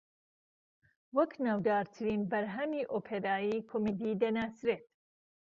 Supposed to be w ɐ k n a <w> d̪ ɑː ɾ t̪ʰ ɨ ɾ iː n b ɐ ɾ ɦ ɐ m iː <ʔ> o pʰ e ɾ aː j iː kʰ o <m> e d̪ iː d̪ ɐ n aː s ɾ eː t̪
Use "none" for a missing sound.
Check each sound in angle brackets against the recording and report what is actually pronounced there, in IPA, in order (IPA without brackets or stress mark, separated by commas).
w, ʔ, m